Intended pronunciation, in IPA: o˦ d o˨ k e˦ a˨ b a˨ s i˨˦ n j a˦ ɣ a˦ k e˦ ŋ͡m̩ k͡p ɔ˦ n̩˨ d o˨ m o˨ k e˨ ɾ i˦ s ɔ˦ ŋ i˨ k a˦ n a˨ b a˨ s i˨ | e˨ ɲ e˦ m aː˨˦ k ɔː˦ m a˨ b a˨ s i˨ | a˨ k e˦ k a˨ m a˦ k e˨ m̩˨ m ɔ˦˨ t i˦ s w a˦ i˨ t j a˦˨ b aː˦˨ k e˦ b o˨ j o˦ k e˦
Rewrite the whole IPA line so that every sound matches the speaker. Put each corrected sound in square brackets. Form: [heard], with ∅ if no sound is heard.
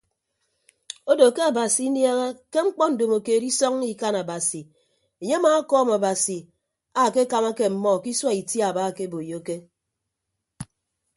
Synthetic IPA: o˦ d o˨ k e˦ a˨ b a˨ s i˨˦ n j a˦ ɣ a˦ k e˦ ŋ͡m̩ k͡p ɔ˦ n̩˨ d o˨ m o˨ k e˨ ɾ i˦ s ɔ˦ ŋ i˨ k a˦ n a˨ b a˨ s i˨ | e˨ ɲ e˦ m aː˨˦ k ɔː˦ m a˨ b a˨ s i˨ | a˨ k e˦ k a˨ m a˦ k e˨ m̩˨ m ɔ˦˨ [k] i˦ s w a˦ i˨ t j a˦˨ b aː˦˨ k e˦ b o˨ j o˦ k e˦

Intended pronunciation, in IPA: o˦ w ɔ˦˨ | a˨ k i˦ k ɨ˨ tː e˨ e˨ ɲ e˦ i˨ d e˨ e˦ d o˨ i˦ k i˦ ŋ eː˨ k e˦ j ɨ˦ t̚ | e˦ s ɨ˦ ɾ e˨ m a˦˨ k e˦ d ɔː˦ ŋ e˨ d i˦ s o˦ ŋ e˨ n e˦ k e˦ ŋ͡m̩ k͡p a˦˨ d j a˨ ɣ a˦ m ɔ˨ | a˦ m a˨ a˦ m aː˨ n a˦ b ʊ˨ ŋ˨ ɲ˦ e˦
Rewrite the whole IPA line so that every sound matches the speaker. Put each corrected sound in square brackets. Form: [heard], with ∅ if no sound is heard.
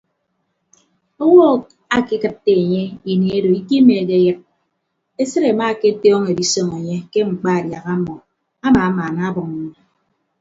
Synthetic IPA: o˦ w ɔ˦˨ | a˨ k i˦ k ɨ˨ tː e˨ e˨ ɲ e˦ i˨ [n] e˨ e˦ d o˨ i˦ k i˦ [m] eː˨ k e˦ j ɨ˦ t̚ | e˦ s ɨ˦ ɾ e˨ m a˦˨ k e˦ [t] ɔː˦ ŋ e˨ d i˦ s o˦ ŋ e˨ [ɲ] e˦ k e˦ ŋ͡m̩ k͡p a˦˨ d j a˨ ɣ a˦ m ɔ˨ | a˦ m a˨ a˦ m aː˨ n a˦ b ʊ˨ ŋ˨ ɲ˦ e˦

